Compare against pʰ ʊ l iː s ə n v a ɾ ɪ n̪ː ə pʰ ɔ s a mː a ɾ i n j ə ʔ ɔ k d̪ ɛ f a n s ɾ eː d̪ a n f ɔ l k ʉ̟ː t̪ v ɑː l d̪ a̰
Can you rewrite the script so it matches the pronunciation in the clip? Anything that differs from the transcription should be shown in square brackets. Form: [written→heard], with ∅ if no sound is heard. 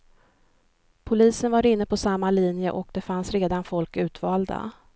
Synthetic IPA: pʰ ʊ l iː s ə n v a ɾ ɪ n̪ː ə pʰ ɔ s a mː a [ɾ→l] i n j ə ʔ ɔ k d̪ ɛ f a n s ɾ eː d̪ a n f ɔ l k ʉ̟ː t̪ v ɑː l d̪ a̰